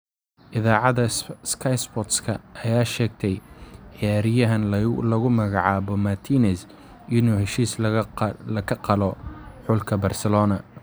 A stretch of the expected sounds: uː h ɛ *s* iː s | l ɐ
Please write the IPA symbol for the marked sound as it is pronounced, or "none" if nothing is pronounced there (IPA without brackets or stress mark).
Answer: ʃ